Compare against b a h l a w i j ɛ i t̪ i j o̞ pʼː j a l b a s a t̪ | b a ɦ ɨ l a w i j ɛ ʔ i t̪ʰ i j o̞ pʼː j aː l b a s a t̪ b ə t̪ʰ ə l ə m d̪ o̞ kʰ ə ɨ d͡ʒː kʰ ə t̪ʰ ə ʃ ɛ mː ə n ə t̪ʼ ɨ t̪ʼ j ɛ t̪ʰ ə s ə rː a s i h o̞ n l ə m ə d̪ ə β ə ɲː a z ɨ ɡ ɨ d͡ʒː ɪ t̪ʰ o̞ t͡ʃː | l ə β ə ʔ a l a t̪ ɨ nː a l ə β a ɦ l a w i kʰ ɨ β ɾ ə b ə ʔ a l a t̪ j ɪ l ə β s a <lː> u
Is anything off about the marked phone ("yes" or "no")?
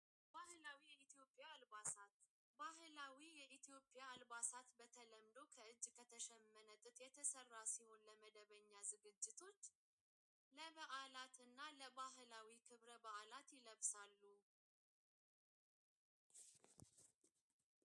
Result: no